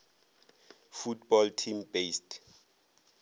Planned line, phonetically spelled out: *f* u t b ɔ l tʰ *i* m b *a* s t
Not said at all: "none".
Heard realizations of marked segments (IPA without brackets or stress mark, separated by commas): f, i, e